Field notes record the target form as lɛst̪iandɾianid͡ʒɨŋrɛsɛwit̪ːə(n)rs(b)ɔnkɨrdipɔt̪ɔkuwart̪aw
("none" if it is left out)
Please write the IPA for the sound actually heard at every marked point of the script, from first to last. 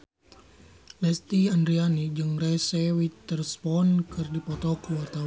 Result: none, p

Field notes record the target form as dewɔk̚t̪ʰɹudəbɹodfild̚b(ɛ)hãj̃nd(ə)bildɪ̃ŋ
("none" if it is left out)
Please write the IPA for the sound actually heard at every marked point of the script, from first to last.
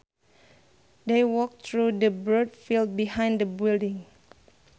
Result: i, ə

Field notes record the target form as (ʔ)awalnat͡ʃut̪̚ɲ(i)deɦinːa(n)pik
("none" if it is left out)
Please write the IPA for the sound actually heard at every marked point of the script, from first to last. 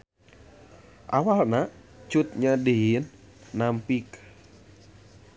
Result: ʔ, a, m

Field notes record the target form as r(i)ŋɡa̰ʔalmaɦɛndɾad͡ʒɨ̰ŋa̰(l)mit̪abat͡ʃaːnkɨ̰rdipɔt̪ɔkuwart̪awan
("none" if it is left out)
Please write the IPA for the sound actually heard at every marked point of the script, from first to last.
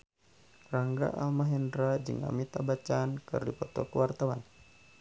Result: a, none

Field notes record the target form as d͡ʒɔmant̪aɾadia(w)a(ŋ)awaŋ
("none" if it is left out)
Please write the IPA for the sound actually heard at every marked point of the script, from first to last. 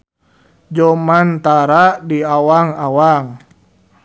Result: w, ŋ

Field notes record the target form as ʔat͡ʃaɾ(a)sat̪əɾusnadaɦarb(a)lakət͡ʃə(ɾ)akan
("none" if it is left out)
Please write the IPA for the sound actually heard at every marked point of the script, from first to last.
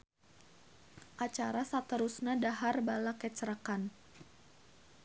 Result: a, a, ɾ

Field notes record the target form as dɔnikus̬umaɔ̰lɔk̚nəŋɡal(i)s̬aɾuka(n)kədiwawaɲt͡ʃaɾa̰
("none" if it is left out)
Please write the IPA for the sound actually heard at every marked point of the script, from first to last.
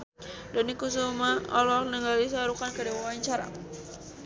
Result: i, n

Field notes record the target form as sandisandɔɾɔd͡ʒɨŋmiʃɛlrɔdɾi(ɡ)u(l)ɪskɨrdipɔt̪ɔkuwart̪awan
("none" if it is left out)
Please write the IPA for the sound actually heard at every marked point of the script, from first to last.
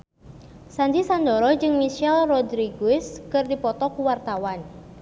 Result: ɡ, none

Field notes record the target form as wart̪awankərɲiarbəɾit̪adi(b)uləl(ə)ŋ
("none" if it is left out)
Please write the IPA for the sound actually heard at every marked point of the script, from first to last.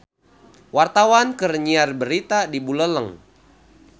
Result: b, ə

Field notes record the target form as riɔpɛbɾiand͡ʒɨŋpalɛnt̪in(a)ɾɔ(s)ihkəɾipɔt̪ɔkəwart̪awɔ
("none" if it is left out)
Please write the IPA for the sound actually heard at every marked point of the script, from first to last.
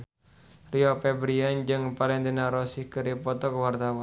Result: a, s

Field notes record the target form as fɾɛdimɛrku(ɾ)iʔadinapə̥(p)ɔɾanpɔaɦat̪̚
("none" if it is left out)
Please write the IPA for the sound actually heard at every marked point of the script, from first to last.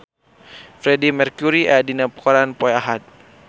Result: ɾ, k

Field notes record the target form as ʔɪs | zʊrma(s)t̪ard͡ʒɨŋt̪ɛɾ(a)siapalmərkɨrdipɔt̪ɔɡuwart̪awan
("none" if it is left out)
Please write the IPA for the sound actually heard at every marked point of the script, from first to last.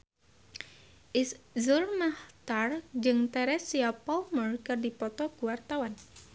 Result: h, ɛ

